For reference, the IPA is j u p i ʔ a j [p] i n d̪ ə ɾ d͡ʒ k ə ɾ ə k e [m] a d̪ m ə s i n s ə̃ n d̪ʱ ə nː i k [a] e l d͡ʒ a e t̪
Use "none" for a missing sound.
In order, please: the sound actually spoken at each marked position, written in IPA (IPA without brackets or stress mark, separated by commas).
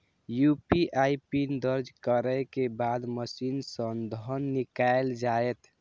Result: p, b, a